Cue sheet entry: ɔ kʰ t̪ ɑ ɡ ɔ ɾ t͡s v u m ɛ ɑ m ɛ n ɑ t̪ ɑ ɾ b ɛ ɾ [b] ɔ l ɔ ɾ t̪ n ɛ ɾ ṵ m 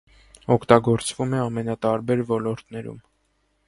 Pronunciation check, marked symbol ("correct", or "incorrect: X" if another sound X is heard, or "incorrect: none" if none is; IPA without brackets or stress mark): incorrect: v